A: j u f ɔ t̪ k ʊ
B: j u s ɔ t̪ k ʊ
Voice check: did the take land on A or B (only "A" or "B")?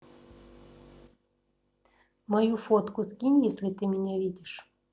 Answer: A